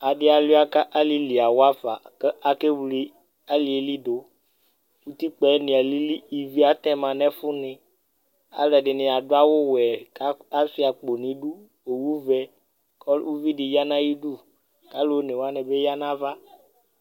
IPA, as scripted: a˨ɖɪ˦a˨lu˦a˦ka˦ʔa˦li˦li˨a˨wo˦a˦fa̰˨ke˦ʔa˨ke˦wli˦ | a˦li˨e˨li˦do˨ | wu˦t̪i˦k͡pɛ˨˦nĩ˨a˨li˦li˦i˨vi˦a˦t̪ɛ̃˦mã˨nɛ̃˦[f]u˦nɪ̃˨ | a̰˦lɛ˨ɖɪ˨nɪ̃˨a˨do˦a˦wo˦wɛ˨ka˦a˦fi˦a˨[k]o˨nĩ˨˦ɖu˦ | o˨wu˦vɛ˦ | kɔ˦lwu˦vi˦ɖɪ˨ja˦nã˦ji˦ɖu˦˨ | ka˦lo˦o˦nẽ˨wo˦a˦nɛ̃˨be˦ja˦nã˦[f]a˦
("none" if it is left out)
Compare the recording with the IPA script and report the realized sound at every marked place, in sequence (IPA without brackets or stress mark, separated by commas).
f, k͡p, v